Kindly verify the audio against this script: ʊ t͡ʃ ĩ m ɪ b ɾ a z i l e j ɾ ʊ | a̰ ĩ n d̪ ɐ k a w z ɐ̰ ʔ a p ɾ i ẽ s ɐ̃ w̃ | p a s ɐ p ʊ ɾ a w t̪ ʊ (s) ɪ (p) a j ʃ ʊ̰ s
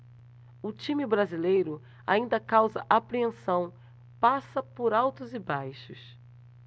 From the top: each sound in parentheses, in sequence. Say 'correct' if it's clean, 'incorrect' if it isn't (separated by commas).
incorrect, incorrect